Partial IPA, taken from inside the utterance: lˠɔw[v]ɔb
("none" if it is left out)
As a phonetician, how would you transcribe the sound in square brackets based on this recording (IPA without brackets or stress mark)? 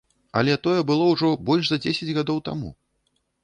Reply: ʐ